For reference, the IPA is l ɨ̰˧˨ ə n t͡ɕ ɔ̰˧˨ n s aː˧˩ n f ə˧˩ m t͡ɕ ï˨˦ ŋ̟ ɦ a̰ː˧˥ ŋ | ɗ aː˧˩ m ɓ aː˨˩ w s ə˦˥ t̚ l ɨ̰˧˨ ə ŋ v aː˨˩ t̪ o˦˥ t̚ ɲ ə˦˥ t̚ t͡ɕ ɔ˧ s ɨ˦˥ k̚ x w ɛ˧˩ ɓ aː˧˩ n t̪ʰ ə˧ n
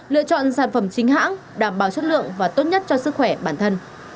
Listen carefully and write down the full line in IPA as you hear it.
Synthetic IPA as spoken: l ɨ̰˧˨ ə t͡ɕ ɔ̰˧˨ n s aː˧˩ n f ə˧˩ m t͡ɕ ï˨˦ ŋ̟ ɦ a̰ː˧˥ ŋ | ɗ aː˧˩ m ɓ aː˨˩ w s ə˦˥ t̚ l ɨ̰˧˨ ə ŋ v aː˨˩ t̪ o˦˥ t̚ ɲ ə˦˥ t̚ t͡ɕ ɔ˧ s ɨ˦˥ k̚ x w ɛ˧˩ ɓ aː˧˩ n t̪ʰ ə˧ n